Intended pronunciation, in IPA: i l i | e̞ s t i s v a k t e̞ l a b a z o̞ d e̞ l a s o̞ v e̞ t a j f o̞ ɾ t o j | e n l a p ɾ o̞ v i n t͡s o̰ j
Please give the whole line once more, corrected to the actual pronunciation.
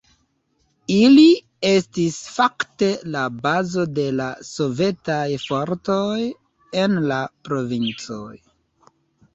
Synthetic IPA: i l i | e̞ s t i s f a k t e̞ l a b a z o̞ d e̞ l a s o̞ v e̞ t a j f o̞ ɾ t o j | e n l a p ɾ o̞ v i n t͡s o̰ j